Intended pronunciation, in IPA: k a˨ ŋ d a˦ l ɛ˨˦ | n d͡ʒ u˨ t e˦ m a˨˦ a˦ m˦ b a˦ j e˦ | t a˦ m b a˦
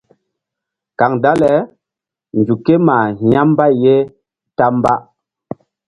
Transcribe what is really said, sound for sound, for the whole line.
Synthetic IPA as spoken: k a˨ ŋ d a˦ l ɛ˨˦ | n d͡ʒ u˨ k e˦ m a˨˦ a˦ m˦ b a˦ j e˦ | t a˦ m b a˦